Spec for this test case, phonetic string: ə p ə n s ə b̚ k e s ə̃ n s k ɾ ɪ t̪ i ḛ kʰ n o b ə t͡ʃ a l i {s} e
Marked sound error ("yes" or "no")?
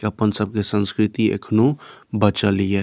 yes